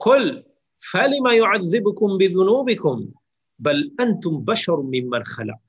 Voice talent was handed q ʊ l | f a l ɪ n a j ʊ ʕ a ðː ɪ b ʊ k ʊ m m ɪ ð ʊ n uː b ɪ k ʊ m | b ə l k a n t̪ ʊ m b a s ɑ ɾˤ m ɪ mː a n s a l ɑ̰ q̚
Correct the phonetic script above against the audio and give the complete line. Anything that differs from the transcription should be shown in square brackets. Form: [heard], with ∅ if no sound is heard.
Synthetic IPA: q ʊ l | f a l ɪ [m] a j ʊ ʕ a ðː ɪ b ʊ k ʊ m [b] ɪ ð ʊ n uː b ɪ k ʊ m | b [a] l [ʔ] a n t̪ ʊ m b a [ʃ] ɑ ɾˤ m ɪ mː a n [x] a l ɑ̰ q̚